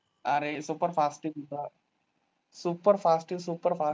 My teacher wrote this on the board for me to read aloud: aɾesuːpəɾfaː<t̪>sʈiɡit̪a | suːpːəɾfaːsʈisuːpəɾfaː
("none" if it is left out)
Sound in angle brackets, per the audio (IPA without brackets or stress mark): none